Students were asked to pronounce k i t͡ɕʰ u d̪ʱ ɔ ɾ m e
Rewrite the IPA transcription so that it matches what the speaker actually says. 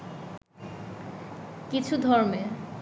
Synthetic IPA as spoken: k i t͡ɕʰ u d̪ʱ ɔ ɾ m e

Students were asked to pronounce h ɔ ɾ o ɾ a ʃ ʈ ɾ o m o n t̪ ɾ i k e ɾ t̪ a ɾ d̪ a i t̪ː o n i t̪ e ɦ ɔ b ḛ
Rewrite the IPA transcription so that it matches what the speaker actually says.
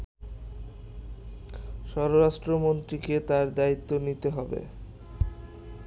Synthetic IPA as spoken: ʃ ɔ ɾ o ɾ a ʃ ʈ ɾ o m o n t̪ ɾ i k e t̪ a ɾ d̪ a i t̪ː o n i t̪ e ɦ ɔ b ḛ

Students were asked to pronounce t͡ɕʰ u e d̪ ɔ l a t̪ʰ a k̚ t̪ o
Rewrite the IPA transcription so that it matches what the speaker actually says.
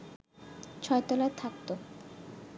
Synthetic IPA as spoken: t͡ɕʰ ɔ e t̪ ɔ l a t̪ʰ a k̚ t̪ o

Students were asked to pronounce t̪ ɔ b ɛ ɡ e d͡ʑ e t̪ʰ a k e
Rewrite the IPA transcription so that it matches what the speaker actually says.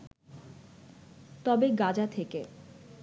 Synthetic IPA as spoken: t̪ ɔ b e ɡ a d͡ʑ a t̪ʰ e k e

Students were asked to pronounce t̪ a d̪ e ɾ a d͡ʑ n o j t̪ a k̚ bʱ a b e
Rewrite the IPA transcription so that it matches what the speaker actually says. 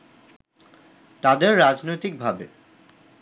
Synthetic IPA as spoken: t̪ a d̪ e ɾː a d͡ʑ n o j t̪ i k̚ bʱ a b e

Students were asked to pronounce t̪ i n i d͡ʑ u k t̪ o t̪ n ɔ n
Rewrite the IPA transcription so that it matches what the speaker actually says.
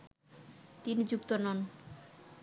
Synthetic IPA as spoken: t̪ i n i d͡ʑ u k t̪ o n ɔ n

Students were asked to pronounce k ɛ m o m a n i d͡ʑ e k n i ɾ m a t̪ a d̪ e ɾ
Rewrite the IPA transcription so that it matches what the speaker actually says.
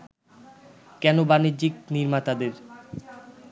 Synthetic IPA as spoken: k ɛ n o b a n i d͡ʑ i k n i ɾ m a t̪ a d̪ e ɾ

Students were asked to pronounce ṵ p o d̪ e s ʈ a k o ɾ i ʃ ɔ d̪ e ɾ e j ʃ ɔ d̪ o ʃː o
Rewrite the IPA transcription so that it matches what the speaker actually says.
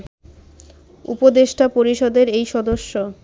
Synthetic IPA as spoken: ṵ p o d̪ e ʃ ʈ a p o ɾ i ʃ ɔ d̪ e ɾ e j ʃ ɔ d̪ o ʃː o

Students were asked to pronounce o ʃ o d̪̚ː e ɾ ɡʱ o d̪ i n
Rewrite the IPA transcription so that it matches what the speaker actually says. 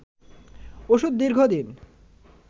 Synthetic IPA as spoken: o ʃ u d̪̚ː i ɾ ɡʱ o d̪ i n

